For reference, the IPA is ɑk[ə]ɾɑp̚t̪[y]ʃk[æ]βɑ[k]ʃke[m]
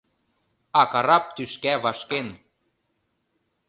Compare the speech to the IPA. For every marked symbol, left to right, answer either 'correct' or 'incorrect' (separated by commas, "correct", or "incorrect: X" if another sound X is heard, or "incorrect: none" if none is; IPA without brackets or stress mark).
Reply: incorrect: ɑ, correct, correct, incorrect: none, incorrect: n